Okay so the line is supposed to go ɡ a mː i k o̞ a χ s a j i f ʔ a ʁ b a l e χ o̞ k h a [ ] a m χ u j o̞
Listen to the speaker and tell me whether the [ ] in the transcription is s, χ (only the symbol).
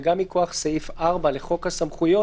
s